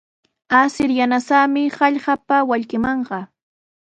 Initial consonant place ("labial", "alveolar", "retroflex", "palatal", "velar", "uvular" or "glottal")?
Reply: alveolar